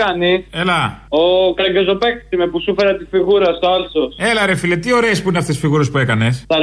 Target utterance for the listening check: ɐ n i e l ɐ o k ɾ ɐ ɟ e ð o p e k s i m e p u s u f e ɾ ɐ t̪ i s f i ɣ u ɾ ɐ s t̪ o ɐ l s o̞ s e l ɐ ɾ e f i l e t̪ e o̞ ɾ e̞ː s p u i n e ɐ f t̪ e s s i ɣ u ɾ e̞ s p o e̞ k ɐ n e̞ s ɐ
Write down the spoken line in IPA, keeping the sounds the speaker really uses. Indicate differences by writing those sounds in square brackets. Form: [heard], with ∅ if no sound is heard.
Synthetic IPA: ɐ n i e l ɐ o k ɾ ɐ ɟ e [z] o p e k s i m e p u s u f e ɾ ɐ t̪ i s f i ɣ u ɾ ɐ s t̪ o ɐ l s o̞ s e l ɐ ɾ e f i l e t̪ [i] o̞ ɾ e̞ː s p u i n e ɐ f t̪ e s [f] i ɣ u ɾ e̞ s p [u] e̞ k ɐ n e̞ s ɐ